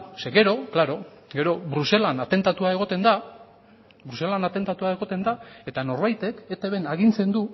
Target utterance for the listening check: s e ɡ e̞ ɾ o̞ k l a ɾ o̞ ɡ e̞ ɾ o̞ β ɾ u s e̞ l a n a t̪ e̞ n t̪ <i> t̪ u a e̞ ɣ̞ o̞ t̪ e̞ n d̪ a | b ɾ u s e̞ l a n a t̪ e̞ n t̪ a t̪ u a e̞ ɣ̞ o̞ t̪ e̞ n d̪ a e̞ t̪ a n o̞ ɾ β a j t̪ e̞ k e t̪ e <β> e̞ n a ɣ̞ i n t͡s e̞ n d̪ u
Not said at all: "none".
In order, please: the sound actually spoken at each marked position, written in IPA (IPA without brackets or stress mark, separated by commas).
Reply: a, β